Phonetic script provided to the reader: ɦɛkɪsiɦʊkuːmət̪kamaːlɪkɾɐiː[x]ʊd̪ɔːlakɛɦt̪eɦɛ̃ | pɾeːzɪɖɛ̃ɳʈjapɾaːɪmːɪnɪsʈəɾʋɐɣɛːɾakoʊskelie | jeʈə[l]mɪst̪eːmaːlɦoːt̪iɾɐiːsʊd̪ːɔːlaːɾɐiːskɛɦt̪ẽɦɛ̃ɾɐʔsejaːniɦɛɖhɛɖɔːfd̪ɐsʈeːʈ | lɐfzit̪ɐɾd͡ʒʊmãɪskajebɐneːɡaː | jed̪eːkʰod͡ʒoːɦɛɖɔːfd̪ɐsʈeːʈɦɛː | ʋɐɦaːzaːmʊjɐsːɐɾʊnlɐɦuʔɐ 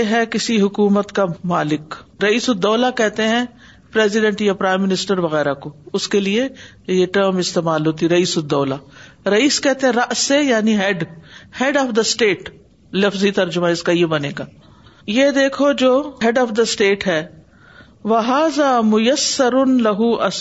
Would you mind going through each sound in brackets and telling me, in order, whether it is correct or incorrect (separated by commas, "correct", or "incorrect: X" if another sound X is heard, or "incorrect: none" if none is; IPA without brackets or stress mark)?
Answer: incorrect: s, incorrect: ɾ